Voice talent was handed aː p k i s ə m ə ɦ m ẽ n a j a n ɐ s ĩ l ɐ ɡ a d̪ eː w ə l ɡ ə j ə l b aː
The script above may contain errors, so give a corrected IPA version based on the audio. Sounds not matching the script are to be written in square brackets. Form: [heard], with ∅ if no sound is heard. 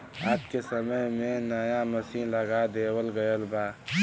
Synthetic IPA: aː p k [e] s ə m ə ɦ m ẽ n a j a [m] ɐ s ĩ l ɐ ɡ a d̪ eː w ə l ɡ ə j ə l b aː